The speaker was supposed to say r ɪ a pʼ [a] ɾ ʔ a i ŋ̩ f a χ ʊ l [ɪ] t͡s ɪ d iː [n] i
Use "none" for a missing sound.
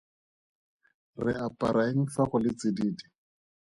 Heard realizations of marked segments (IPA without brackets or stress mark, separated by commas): a, ɪ, d